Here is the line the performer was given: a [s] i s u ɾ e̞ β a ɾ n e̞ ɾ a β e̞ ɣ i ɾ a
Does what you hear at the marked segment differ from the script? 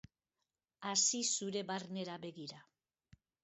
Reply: no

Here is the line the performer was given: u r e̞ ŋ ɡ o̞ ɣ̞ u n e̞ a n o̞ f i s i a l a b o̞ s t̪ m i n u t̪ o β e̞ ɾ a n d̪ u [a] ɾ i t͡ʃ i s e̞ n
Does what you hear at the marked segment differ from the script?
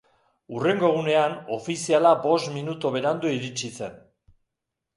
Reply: yes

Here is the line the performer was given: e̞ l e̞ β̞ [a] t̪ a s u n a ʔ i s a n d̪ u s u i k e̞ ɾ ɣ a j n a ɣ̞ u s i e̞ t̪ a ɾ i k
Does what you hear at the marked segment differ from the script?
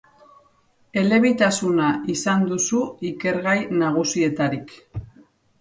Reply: yes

